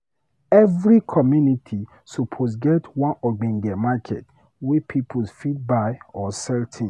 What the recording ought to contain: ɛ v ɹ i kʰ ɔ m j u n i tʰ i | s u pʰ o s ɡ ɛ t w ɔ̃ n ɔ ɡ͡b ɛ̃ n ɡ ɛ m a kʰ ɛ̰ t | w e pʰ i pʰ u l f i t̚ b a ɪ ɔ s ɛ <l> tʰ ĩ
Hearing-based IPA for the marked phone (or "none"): l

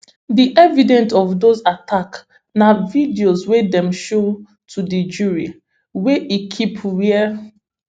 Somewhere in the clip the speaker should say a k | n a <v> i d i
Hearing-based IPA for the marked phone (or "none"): v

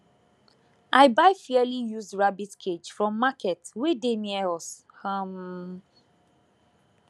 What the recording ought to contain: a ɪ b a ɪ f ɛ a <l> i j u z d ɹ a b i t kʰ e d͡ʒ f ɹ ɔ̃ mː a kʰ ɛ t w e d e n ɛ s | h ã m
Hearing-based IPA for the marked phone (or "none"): l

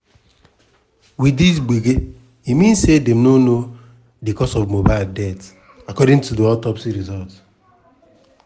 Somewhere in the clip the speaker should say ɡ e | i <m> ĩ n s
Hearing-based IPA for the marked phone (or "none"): m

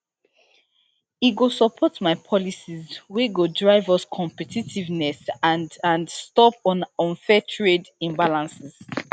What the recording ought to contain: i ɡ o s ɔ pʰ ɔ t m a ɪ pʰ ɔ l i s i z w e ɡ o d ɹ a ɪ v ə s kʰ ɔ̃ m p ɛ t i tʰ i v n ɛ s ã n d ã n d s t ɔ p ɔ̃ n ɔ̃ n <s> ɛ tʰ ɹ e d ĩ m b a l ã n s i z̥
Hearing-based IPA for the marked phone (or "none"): f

